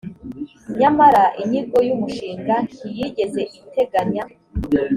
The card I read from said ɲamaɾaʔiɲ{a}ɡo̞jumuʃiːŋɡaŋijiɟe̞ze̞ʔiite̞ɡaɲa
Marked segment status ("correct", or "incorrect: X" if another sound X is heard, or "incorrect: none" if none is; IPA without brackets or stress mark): incorrect: i